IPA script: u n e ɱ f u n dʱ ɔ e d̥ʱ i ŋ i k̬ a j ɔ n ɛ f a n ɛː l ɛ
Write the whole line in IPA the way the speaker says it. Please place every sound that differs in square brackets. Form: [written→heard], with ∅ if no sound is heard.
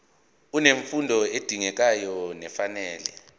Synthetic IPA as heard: u n e ɱ f u n dʱ ɔ e d̥ʱ i ŋ [i→ɛ] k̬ a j ɔ n ɛ f a n ɛː l ɛ